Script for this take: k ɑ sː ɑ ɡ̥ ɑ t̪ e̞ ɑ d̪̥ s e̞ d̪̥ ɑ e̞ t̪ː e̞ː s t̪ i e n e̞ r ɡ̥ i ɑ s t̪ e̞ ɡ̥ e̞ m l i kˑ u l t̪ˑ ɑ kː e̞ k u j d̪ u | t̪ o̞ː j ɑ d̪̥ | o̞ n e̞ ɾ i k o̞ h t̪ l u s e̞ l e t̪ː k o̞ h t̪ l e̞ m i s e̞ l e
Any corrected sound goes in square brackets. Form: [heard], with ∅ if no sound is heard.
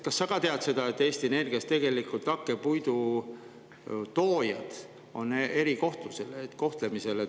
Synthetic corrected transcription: k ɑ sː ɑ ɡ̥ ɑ t̪ e̞ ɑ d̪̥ s e̞ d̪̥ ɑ e̞ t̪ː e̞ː s t̪ i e n e̞ r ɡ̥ i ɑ s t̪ e̞ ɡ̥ e̞ [∅] l i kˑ u l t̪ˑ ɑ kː e̞ [p] u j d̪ u | t̪ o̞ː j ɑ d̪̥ | o̞ n e̞ ɾ i k o̞ h t̪ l u s e̞ l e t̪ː k o̞ h t̪ l e̞ m i s e̞ l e